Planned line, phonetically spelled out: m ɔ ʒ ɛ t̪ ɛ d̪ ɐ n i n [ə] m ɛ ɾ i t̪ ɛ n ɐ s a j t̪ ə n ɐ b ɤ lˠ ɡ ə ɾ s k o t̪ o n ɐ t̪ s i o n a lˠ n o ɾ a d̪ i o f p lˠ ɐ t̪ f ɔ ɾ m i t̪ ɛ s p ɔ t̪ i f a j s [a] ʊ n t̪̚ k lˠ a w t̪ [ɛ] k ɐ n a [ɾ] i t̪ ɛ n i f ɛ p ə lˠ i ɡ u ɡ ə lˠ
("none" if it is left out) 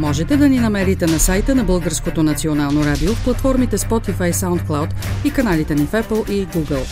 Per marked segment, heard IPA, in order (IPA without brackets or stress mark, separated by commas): ɐ, a, i, l